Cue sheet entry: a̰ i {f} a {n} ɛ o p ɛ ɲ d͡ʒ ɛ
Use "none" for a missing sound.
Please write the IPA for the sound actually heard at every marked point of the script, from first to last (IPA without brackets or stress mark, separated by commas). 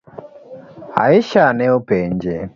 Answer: ʃ, n